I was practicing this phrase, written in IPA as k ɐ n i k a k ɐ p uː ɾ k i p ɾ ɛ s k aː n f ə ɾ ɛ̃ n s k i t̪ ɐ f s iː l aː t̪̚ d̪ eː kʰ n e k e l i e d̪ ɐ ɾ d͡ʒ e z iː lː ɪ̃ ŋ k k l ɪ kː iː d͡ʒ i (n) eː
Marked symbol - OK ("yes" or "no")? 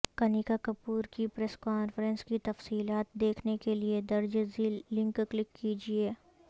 no